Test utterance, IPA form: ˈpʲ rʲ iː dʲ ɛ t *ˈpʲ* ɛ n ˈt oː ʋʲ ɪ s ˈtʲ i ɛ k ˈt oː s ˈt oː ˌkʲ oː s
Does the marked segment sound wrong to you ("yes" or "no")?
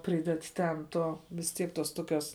yes